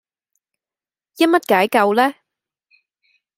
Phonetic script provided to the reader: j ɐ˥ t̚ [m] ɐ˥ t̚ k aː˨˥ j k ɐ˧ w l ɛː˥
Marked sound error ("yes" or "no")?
no